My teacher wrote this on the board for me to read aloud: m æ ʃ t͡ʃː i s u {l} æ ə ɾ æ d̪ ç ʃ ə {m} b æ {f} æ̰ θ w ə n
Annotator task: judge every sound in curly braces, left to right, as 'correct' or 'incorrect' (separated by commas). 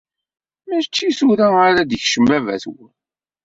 incorrect, correct, incorrect